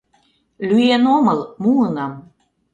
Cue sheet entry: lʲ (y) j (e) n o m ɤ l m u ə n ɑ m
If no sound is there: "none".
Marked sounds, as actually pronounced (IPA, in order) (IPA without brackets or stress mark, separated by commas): y, e